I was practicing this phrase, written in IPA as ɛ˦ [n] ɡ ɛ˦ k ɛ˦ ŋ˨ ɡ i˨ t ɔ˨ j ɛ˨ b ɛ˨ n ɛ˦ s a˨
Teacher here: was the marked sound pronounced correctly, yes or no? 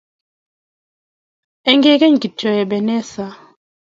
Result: no